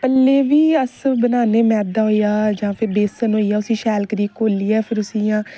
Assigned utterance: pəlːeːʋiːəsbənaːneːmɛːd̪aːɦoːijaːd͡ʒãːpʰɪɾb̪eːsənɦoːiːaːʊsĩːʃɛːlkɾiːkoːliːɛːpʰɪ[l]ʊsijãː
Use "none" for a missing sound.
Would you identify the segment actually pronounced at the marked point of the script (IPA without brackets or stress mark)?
ɾ